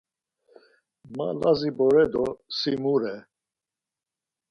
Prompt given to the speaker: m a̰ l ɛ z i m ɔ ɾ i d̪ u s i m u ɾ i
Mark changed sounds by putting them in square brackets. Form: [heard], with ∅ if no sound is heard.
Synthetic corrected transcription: m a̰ l [a] z i [b] ɔ ɾ [ɛ] d̪ [ɔ] s i m u ɾ [ɛ]